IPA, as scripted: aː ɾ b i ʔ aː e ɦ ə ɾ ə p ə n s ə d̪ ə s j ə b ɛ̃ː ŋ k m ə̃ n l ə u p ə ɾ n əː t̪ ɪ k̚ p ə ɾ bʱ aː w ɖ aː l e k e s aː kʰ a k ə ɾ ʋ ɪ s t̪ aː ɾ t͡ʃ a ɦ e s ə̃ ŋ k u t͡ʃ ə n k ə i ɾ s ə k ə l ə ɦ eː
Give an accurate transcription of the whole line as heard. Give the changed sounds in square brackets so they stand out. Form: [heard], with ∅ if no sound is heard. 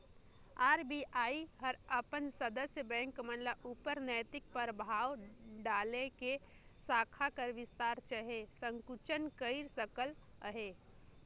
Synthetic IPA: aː ɾ b i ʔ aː [i] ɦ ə ɾ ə p ə n s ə d̪ ə s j ə b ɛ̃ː ŋ k m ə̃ n l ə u p ə ɾ n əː t̪ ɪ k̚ p ə ɾ bʱ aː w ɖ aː l e k e s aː kʰ a k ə ɾ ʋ ɪ s t̪ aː ɾ t͡ʃ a ɦ e s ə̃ ŋ k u t͡ʃ ə n k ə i ɾ s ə k ə l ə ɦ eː